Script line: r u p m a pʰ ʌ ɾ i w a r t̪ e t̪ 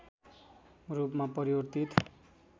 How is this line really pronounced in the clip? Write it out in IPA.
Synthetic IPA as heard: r u p m a p ʌ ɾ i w ʌ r t̪ i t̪